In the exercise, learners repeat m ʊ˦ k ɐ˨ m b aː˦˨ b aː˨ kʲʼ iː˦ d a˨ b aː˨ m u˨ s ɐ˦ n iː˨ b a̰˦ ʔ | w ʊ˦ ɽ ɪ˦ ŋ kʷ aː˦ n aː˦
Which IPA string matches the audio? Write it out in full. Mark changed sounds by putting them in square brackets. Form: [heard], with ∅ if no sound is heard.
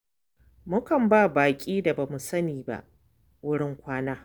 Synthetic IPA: m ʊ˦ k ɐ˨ m b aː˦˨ b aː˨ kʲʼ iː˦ d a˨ b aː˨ m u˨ s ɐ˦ n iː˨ b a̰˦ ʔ | w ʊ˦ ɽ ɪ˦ ŋ kʷ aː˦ n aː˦